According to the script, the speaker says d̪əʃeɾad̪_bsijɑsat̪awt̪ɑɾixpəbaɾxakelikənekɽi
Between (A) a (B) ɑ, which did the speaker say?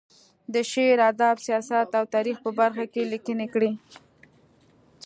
B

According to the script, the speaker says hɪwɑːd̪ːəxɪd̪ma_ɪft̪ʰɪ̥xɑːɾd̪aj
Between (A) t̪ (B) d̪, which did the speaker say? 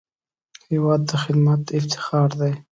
A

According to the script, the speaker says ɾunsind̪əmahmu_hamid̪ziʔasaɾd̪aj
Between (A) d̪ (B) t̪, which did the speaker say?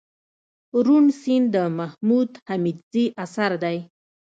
A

